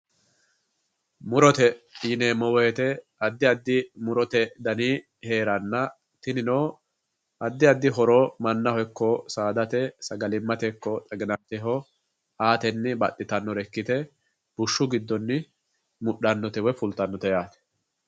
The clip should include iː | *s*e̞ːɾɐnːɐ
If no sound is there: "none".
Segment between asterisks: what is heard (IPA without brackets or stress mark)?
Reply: h